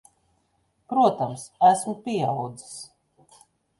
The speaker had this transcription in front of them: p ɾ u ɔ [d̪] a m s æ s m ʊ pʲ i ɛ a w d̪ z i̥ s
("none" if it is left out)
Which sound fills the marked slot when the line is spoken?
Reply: t̪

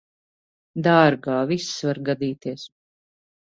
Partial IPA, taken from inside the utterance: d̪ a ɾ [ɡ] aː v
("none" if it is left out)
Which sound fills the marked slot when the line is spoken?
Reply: ɡ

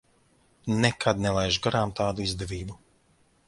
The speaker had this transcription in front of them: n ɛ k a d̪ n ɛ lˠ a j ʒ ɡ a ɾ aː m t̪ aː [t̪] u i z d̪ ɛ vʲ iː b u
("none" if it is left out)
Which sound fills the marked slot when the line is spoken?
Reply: d̪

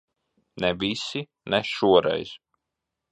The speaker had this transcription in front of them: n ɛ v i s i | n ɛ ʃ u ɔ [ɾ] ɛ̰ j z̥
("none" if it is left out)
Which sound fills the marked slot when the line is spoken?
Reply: ɾ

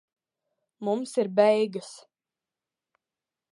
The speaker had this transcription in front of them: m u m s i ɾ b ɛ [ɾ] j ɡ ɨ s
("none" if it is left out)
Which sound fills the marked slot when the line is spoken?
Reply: none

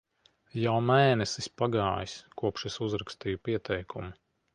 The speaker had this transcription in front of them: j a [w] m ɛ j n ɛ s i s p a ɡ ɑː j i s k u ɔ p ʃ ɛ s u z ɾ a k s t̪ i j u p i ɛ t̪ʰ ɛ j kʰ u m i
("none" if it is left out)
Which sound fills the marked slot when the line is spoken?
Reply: w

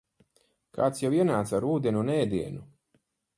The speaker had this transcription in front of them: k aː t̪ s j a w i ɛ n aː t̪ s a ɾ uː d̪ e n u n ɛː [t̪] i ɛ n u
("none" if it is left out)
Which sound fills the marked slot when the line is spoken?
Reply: d̪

